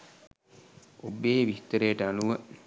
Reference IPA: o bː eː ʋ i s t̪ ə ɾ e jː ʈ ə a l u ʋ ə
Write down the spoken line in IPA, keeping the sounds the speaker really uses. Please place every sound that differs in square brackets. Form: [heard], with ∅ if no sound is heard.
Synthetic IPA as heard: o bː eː ʋ i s t̪ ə ɾ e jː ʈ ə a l u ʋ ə